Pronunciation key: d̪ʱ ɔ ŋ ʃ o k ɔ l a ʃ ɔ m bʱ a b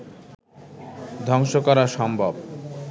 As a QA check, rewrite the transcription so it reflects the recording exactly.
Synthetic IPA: d̪ʱ ɔ ŋ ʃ o k ɔ ɾ a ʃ ɔ m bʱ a b